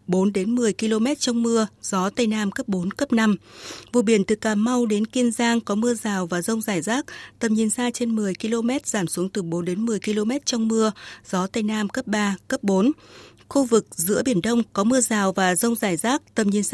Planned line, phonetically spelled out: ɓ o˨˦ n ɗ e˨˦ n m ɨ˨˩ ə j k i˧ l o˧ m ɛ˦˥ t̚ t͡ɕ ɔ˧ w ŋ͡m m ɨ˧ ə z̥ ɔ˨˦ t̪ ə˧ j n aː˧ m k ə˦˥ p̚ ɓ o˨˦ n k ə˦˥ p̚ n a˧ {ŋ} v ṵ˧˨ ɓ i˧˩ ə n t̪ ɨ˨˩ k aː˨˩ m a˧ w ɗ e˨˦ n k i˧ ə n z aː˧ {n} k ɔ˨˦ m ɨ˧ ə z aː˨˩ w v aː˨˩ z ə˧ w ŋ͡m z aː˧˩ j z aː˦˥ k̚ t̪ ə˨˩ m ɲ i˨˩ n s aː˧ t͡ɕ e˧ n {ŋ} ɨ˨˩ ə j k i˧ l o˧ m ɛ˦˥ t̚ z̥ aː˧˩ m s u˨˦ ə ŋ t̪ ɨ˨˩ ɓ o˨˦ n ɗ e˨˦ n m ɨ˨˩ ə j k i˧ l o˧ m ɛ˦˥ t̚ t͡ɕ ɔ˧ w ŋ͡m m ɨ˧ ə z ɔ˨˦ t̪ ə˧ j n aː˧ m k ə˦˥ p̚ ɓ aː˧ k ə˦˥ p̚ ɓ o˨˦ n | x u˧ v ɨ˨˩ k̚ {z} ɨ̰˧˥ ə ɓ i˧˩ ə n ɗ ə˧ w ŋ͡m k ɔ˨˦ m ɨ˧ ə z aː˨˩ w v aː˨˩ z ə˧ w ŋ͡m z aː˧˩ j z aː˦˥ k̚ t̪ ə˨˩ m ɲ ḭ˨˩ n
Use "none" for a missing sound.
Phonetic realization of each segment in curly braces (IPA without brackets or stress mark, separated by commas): m, ŋ, m, z